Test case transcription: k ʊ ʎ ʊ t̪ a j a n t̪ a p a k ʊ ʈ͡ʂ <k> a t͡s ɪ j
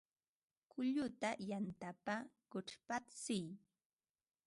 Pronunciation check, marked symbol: incorrect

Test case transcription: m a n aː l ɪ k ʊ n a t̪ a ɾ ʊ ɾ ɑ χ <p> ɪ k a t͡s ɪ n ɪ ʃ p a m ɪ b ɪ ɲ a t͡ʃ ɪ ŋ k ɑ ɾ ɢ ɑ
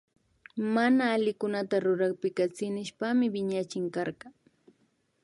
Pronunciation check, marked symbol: correct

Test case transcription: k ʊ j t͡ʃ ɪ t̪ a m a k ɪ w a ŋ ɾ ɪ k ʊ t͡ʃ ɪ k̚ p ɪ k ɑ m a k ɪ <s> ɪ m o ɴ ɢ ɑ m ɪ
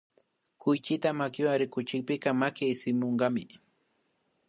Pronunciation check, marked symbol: correct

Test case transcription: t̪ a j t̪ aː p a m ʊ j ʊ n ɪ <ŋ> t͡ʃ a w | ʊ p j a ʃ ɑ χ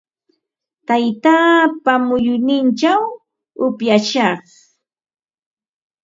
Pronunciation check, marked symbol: incorrect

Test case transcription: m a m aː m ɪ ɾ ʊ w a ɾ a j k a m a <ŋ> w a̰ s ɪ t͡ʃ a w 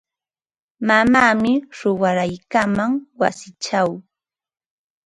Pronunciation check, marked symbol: correct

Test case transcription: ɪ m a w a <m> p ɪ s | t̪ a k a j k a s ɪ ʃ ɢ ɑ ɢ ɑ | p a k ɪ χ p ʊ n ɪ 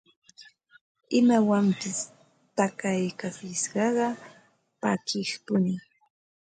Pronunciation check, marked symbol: correct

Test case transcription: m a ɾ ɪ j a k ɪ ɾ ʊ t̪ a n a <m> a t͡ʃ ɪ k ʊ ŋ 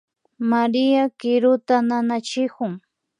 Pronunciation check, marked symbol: incorrect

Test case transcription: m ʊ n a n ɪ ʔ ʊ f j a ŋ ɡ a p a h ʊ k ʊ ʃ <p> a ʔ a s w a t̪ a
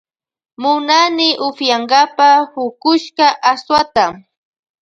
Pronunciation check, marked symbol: incorrect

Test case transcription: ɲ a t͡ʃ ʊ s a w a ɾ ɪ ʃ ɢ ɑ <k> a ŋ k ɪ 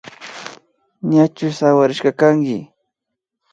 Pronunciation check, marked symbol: correct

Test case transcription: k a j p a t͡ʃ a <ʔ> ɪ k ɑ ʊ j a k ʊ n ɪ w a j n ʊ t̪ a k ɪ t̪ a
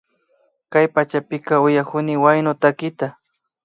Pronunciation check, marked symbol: incorrect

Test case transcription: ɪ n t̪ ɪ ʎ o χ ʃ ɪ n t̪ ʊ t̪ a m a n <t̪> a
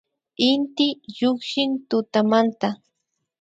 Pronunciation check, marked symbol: correct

